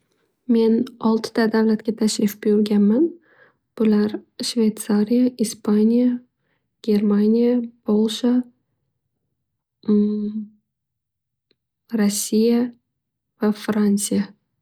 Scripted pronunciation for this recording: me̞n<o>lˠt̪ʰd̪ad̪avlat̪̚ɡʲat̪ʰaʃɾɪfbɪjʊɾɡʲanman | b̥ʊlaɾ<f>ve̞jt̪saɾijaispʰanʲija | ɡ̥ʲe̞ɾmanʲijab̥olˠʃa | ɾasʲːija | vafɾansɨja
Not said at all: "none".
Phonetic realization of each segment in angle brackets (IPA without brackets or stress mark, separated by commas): ɒ, ʃ